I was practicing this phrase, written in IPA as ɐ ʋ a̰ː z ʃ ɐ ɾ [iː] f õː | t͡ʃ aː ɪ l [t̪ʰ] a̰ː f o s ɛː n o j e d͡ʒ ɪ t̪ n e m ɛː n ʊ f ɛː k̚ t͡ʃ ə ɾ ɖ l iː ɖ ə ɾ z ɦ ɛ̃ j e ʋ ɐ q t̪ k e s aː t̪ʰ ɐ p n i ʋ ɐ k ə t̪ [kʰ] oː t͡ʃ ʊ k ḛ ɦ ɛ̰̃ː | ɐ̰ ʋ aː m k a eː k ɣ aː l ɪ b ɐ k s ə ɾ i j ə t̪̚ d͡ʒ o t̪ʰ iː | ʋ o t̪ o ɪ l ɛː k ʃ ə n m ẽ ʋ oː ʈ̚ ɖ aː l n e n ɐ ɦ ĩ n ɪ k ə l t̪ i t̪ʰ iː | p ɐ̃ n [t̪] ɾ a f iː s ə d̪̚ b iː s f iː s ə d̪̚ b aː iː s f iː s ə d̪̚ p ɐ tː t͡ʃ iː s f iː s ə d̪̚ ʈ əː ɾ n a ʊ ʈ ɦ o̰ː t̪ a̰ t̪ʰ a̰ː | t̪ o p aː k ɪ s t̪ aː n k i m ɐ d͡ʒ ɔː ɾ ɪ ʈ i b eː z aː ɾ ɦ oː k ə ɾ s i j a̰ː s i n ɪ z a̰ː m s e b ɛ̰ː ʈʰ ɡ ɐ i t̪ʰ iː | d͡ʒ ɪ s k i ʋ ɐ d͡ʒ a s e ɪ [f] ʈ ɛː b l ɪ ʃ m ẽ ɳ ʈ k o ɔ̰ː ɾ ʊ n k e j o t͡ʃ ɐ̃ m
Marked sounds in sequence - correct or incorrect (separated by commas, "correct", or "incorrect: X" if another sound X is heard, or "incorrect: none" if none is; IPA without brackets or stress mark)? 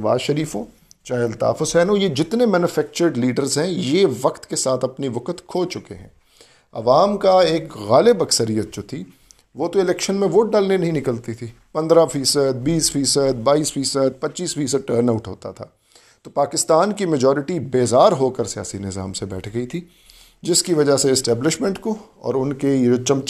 correct, incorrect: t̪, correct, incorrect: d̪, incorrect: s